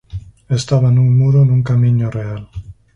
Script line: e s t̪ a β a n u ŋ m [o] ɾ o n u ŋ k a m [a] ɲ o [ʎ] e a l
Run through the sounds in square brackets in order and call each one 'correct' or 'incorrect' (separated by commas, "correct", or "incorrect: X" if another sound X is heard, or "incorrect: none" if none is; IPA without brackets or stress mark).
incorrect: u, incorrect: i, incorrect: r